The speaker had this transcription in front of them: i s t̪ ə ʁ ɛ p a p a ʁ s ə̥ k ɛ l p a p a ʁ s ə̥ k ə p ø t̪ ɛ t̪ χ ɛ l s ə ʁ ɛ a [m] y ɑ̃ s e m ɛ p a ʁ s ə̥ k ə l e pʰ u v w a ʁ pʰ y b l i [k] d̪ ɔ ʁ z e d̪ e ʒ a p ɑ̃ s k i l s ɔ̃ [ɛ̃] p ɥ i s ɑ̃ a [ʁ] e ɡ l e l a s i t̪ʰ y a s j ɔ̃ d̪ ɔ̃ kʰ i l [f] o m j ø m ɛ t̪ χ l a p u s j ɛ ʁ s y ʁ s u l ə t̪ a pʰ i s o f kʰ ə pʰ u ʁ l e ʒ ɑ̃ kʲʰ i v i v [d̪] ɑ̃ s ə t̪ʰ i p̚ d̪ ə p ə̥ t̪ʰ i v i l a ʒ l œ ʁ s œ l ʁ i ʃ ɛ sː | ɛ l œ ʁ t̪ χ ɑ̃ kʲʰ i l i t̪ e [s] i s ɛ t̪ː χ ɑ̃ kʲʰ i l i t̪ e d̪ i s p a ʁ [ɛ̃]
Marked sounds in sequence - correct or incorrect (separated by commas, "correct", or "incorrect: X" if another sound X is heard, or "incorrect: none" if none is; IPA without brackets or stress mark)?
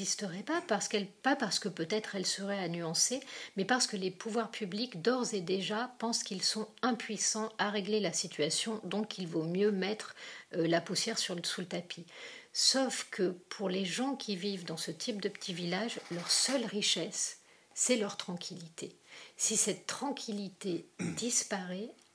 incorrect: n, correct, correct, correct, incorrect: v, correct, correct, incorrect: ɛ